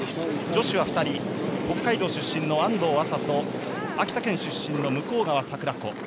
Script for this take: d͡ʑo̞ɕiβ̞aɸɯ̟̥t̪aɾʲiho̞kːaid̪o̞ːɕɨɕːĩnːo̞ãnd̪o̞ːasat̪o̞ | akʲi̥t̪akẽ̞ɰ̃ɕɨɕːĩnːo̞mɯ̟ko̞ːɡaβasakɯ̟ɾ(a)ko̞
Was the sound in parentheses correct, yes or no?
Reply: yes